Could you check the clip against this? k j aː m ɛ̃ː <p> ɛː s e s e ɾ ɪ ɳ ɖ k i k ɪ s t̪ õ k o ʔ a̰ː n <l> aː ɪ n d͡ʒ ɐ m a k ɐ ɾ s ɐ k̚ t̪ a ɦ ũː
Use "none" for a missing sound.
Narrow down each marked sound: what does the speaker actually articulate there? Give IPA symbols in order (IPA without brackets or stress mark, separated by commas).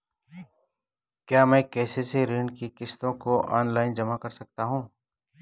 k, l